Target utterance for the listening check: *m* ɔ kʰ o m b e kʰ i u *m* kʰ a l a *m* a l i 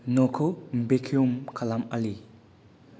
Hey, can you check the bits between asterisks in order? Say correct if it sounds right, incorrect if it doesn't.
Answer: incorrect, correct, correct

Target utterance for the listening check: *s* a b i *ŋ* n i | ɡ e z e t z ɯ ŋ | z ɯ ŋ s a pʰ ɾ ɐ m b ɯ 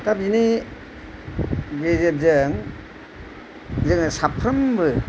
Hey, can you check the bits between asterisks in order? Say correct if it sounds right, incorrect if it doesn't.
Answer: incorrect, incorrect

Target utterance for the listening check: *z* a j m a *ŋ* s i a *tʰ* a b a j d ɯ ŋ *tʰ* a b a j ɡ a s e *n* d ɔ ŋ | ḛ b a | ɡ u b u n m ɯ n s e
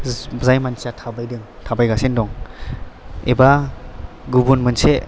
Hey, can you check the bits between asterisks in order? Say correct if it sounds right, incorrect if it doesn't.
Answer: correct, incorrect, correct, correct, correct

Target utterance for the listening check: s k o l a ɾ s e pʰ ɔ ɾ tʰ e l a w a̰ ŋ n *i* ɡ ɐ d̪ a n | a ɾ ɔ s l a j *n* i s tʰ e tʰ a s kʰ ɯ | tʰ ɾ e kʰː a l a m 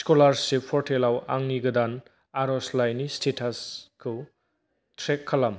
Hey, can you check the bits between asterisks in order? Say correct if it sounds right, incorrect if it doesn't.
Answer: correct, correct

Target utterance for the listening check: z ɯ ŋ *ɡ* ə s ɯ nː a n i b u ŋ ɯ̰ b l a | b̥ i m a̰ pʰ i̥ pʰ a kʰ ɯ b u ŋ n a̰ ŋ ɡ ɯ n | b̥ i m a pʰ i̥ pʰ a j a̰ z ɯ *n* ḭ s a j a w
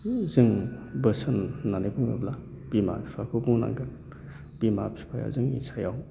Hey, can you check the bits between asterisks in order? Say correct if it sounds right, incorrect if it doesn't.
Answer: incorrect, incorrect

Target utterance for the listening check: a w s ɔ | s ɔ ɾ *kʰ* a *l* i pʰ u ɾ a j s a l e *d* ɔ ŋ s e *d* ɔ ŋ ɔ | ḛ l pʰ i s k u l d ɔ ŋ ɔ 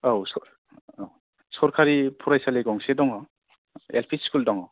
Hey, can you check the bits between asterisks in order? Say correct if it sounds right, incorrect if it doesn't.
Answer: correct, incorrect, incorrect, correct

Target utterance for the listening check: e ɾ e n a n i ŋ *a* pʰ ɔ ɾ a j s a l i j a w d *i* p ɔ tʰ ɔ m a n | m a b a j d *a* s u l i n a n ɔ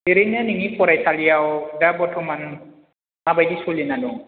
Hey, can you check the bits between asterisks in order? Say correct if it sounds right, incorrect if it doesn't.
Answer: incorrect, incorrect, incorrect

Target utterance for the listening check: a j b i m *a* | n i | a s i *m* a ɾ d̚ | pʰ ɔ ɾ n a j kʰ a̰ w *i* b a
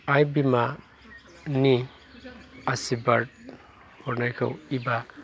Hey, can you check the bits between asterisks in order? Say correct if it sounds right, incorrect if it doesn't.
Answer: correct, incorrect, correct

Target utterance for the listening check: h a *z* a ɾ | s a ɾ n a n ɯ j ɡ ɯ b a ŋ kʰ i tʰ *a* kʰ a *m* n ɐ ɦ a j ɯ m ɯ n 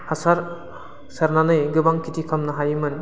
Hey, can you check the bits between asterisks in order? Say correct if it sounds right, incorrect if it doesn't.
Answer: incorrect, incorrect, correct

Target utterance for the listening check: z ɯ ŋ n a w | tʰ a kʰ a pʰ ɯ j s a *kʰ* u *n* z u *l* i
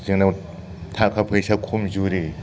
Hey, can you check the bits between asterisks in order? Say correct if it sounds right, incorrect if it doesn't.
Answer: correct, incorrect, incorrect

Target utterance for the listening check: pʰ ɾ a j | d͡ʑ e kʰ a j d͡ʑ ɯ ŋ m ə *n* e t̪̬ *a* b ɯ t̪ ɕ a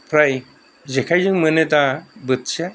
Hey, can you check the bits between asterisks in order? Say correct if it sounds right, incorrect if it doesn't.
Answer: correct, correct

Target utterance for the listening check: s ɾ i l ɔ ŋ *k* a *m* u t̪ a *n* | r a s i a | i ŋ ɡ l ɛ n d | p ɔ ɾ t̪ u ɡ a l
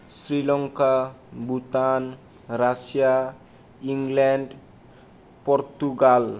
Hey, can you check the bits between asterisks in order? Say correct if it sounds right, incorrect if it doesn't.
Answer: correct, incorrect, correct

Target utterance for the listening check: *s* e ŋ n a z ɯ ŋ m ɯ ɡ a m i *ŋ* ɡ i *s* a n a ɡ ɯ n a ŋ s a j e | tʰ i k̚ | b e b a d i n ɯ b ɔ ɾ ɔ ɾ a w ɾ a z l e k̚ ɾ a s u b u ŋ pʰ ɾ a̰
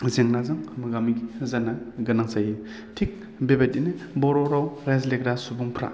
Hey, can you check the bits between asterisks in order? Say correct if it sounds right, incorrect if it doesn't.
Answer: incorrect, incorrect, incorrect

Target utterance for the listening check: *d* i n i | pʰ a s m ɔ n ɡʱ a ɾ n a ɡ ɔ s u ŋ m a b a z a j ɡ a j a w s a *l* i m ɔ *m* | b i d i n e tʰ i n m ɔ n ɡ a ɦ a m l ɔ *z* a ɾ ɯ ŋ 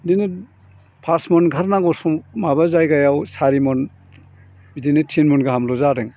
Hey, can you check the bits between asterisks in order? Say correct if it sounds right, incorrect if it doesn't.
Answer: correct, incorrect, incorrect, correct

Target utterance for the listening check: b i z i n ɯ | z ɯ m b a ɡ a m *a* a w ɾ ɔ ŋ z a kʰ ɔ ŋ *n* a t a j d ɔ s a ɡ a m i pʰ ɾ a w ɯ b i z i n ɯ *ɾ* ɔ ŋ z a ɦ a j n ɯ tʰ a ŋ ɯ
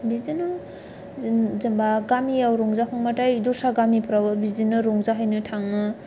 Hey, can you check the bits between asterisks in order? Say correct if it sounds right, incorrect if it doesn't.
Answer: incorrect, incorrect, correct

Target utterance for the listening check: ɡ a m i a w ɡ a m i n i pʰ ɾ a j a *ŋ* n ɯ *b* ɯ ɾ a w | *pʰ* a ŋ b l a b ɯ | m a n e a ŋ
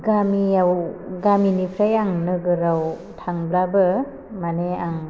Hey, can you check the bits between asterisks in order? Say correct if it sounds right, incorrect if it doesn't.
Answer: correct, incorrect, incorrect

